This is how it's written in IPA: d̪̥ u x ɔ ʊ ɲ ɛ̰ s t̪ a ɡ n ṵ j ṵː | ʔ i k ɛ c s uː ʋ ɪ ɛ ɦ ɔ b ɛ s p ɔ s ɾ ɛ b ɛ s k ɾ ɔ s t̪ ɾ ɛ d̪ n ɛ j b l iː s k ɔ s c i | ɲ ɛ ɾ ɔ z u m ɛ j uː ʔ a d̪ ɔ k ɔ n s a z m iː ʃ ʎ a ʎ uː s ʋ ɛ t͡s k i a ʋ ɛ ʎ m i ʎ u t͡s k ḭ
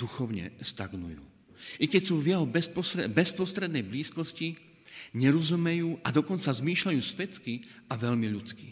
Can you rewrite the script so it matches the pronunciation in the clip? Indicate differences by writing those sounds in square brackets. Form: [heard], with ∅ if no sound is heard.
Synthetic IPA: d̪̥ u x ɔ ʊ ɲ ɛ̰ s t̪ a ɡ n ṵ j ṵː | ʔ i k ɛ c s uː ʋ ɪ ɛ ɦ ɔ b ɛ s p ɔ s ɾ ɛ b ɛ s [p] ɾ ɔ s t̪ ɾ ɛ d̪ n ɛ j b l iː s k ɔ s c i | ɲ ɛ ɾ ɔ z u m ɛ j uː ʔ a d̪ ɔ k ɔ n [t͡s] a z m iː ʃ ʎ a [j] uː s ʋ ɛ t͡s k i a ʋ ɛ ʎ m i ʎ u t͡s k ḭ